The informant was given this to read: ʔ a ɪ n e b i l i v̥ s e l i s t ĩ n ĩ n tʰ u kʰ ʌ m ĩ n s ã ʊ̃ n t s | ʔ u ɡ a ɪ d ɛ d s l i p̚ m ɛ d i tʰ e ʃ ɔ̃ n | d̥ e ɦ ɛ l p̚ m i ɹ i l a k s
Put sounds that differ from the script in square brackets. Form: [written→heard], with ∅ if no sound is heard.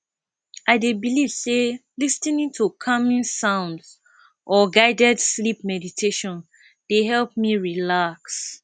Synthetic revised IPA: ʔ a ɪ [n→d] e b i l i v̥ s e l i s t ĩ n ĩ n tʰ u kʰ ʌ m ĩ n s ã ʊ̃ n [t→d] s | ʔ [u→ɔ] ɡ a ɪ d ɛ d s l i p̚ m ɛ d i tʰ e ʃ ɔ̃ n | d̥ e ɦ ɛ l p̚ m i ɹ i l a k s